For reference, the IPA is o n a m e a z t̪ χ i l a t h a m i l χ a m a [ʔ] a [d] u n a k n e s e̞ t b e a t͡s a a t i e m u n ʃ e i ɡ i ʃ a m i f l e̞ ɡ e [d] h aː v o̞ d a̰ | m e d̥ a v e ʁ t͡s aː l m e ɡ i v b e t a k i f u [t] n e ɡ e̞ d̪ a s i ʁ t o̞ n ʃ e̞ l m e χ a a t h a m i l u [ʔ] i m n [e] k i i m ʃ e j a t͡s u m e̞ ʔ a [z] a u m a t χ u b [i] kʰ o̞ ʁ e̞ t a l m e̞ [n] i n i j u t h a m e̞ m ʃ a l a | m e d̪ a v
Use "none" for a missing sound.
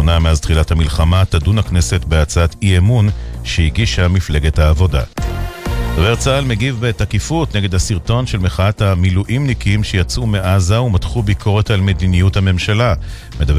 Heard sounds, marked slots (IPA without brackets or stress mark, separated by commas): t, d, t, t, ʔ, i, z, i, d